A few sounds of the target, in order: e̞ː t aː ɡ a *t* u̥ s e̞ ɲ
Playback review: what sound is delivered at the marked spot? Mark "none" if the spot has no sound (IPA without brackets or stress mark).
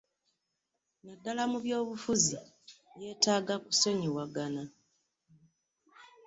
k